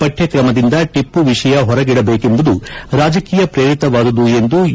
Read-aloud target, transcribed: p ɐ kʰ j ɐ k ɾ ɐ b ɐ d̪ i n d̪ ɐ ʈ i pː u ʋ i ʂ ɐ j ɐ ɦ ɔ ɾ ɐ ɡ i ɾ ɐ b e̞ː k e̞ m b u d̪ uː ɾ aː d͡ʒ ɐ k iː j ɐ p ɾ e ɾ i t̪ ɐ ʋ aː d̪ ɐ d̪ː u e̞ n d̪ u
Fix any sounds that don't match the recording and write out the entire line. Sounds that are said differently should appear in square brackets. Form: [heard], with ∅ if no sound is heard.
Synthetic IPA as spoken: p ɐ [ʈʰ] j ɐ k ɾ ɐ [m] ɐ d̪ i n d̪ ɐ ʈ i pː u ʋ i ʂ ɐ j ɐ ɦ ɔ ɾ ɐ ɡ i [ɽ] ɐ b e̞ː k e̞ m b u d̪ [u] ɾ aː d͡ʒ ɐ k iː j ɐ p ɾ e ɾ i t̪ ɐ ʋ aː d̪ ɐ [d̪] u e̞ n d̪ u